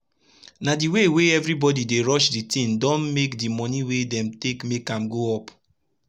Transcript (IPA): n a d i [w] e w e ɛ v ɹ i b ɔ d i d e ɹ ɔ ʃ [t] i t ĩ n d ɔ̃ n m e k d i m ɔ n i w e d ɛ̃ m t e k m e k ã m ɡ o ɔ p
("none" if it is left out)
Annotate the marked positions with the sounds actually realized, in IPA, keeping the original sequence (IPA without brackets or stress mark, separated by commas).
w, d